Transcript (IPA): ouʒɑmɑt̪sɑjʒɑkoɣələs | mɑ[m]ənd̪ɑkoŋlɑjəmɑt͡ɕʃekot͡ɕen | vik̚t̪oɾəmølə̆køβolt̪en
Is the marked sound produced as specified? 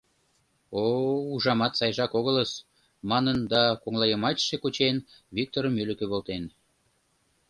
no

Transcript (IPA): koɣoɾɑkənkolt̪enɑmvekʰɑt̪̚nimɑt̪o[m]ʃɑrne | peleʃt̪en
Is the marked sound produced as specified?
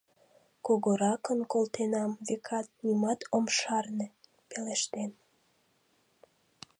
yes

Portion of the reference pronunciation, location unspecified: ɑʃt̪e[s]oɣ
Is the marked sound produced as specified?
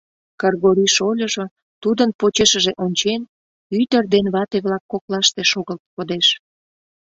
no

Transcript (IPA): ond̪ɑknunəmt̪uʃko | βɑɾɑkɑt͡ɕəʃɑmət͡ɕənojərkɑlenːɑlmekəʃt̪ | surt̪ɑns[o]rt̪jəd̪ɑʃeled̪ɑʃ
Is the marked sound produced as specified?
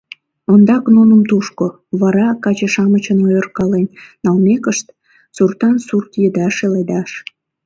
no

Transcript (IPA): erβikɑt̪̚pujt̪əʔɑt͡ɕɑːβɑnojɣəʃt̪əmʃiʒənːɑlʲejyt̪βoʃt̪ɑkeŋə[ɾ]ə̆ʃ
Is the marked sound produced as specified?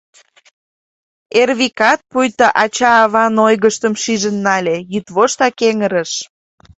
yes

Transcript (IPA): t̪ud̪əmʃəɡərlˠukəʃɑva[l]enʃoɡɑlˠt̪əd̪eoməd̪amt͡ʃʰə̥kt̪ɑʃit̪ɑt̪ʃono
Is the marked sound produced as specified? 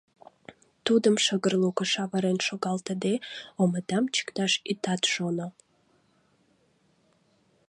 no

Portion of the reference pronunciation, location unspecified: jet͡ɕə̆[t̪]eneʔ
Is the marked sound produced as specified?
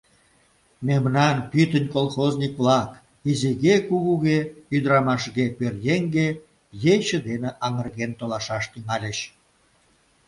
no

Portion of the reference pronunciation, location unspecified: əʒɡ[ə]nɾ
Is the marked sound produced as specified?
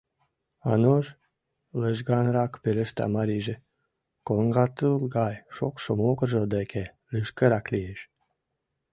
no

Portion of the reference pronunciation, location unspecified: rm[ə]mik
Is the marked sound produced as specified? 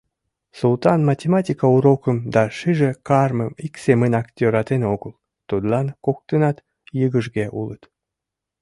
yes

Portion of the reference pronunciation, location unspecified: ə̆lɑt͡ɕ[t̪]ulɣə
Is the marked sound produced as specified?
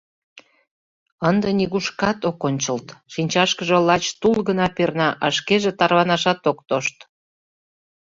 yes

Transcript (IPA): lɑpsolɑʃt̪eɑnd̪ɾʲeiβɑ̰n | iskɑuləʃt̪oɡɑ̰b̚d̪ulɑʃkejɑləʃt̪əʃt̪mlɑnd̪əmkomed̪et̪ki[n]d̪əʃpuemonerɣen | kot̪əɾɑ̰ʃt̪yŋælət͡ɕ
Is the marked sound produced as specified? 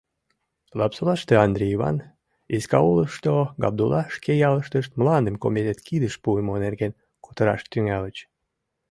no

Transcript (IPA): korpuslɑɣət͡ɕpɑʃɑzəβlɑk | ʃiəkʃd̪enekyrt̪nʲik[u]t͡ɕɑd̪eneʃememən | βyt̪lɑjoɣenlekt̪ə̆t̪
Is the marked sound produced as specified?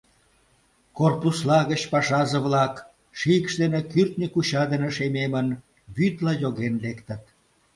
yes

